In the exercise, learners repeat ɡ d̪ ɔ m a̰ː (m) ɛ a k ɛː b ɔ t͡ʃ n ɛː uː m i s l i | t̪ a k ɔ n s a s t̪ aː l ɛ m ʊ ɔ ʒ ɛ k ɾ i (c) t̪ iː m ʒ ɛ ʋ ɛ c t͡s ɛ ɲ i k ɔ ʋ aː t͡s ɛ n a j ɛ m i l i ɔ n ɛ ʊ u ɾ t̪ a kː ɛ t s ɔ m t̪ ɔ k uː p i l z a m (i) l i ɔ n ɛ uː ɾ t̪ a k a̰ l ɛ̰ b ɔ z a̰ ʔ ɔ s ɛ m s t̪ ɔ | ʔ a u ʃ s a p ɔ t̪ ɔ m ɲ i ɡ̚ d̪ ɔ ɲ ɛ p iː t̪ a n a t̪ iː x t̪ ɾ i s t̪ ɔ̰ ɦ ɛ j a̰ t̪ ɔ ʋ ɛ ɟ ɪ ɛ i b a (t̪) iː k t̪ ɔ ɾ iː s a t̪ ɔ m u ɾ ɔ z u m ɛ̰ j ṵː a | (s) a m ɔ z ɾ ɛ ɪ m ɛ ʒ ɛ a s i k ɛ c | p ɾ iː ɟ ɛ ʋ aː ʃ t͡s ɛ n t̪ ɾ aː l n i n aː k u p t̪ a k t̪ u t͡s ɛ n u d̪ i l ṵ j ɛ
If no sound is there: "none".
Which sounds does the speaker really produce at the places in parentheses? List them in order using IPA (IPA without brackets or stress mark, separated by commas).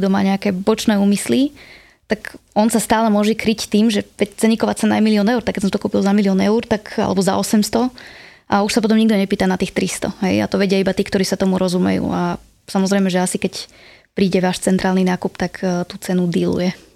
ɲ, c, i, t̪, s